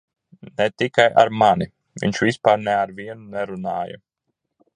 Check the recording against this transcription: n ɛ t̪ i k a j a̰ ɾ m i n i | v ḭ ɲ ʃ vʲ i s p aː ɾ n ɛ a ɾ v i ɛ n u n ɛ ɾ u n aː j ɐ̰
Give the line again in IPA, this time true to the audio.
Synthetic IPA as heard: n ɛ t̪ i k a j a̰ ɾ m a n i | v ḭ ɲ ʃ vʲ i s p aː ɾ n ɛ a ɾ v i ɛ n u n ɛ ɾ u n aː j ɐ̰